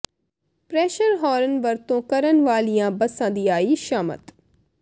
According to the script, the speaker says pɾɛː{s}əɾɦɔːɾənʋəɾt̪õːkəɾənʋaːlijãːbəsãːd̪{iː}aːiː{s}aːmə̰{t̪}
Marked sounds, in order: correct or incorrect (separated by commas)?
incorrect, correct, incorrect, correct